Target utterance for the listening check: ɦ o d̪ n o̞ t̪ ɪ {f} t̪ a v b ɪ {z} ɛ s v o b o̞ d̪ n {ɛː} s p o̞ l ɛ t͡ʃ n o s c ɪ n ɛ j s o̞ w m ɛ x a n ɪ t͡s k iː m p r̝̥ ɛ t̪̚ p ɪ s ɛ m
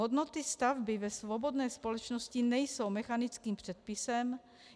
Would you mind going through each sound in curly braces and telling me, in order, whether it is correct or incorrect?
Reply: incorrect: s, incorrect: v, correct

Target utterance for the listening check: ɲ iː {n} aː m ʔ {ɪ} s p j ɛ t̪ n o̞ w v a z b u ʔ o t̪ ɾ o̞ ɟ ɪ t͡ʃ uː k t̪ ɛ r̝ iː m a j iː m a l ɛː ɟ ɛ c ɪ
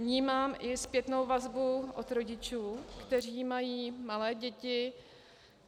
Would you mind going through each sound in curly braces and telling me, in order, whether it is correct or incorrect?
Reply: incorrect: m, correct

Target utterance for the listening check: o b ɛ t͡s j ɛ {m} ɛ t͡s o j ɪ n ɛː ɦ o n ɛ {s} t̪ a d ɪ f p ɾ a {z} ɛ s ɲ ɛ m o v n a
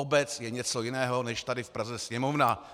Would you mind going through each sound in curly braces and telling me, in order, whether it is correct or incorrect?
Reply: incorrect: ɲ, incorrect: ʃ, correct

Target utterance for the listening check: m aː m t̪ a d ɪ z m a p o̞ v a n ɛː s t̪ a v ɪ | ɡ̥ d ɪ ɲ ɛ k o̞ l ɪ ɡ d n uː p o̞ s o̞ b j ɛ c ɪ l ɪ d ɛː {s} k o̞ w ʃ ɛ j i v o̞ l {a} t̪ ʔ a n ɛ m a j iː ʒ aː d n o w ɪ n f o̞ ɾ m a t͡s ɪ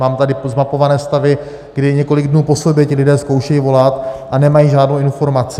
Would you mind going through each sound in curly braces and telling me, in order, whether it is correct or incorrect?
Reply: correct, correct

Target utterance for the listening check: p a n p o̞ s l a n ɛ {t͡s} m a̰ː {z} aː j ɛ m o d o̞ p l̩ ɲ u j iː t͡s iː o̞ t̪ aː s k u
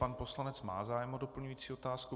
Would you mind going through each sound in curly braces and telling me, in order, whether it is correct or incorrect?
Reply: correct, correct

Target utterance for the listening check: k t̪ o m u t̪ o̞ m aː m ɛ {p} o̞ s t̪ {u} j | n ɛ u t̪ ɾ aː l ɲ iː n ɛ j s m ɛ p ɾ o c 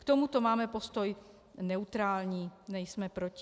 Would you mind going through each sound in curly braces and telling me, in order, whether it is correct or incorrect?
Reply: correct, incorrect: o

